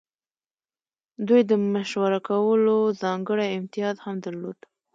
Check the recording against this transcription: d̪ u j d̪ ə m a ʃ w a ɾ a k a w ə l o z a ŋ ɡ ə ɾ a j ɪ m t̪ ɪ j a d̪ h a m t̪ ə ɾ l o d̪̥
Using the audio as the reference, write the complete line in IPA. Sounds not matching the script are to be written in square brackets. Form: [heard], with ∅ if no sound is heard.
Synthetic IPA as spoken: d̪ u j d̪ ə m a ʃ w a ɾ a k a w ə l o z [ɑ] ŋ ɡ ə [ɽ] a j ɪ m t̪ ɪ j [ɑ] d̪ h a m [d̪] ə ɾ l o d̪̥